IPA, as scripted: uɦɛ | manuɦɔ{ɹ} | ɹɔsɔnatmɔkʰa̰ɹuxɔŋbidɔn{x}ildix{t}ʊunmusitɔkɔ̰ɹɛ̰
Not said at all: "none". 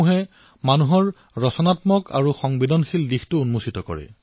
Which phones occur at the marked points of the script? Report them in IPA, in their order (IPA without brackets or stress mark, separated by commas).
ɹ, x, t